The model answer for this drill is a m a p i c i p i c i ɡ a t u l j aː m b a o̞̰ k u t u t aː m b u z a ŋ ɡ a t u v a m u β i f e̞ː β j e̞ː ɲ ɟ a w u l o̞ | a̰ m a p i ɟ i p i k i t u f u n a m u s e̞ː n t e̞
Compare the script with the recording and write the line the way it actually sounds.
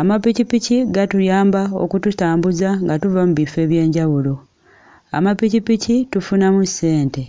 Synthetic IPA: a m a p i c i p i c i ɡ a t u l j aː m b a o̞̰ k u t u t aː m b u z a ŋ ɡ a t u v a m u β i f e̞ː β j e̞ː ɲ ɟ a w u l o̞ | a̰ m a p i c i p i c i t u f u n a m u s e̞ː n t e̞